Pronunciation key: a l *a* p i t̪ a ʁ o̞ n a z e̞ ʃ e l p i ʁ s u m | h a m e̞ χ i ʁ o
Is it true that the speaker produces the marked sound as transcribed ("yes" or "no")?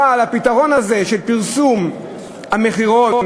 yes